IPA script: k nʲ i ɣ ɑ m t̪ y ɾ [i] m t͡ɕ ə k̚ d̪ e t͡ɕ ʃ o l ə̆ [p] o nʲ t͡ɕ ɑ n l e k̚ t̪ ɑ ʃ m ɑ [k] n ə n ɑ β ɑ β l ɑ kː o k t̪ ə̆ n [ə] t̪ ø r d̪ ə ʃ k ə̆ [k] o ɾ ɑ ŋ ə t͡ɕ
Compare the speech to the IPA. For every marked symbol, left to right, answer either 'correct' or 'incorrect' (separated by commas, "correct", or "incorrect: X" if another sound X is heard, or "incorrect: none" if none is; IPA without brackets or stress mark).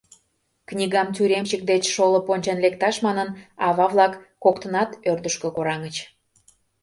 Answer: incorrect: e, correct, incorrect: none, incorrect: ɑ, correct